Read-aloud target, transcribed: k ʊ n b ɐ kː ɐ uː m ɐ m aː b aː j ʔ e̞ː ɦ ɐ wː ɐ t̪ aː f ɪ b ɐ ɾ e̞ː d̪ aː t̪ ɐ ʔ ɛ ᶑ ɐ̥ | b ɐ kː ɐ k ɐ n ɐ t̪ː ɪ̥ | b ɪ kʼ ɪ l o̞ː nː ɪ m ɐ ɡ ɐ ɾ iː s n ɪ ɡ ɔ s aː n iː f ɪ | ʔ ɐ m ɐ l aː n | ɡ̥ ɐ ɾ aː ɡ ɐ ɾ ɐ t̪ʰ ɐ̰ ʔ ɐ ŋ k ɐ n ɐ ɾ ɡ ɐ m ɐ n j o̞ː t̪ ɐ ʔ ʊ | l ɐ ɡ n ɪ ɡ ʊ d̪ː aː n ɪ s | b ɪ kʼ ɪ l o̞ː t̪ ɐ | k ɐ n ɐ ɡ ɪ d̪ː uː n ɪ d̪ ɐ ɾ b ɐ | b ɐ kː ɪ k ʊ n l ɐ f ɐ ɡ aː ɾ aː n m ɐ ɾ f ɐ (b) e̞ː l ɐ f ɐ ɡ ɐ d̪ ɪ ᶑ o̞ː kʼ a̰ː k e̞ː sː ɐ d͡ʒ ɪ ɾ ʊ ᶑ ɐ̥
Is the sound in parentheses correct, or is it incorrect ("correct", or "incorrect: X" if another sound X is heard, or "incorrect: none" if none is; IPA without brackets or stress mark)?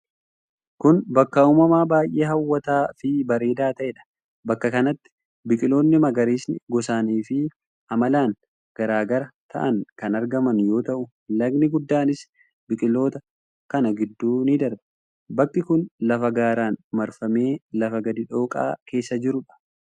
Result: incorrect: m